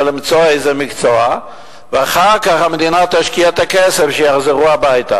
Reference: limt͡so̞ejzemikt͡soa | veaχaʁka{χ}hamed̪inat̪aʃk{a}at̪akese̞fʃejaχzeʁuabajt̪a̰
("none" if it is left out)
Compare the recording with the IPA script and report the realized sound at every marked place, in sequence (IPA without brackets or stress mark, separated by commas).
χ, i